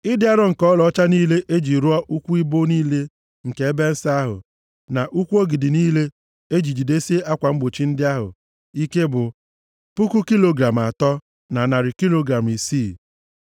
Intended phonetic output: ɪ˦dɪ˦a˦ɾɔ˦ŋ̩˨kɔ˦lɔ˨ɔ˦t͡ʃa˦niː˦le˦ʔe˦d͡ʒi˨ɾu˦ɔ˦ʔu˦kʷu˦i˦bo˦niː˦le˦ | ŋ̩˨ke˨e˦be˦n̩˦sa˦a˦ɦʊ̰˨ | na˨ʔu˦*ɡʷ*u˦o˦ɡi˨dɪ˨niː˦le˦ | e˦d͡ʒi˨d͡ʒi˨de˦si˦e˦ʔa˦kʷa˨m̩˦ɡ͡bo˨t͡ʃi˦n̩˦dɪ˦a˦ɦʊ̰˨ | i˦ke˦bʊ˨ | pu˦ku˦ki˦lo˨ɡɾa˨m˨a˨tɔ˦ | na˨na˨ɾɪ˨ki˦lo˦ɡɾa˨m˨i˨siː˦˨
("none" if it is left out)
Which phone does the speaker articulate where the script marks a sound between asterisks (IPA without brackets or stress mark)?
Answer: kʷ